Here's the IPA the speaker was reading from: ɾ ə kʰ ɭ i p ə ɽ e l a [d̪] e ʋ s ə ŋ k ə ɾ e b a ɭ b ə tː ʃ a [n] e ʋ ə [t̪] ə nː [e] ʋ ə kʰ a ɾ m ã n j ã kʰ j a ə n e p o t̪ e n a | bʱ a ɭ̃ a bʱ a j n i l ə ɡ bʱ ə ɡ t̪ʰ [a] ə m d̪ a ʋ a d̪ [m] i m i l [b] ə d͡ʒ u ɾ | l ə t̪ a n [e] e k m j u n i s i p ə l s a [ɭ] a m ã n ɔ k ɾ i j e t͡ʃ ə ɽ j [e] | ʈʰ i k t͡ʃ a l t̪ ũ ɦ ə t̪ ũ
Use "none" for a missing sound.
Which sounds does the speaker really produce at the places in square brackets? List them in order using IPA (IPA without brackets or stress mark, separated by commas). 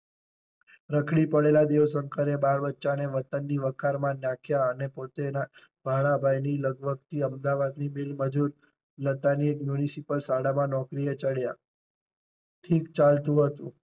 d̪, n, t̪, i, i, n, m, i, ɽ, a